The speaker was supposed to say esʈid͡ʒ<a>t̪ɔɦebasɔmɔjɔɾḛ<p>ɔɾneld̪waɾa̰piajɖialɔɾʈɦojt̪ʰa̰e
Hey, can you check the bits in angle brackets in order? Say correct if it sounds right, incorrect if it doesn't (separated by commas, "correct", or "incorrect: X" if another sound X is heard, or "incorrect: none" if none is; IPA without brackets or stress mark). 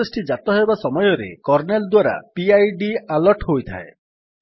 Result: correct, incorrect: k